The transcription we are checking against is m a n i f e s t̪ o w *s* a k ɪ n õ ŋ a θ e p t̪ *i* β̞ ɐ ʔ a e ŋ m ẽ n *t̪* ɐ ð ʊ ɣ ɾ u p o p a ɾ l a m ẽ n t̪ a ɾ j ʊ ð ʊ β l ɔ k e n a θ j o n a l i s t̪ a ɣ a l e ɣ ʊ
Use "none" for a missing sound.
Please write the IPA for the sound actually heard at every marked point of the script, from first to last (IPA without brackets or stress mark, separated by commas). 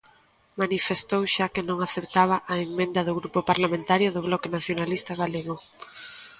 ʃ, a, d̪